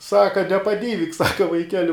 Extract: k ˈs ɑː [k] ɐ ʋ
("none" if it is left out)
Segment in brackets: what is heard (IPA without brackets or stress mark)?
k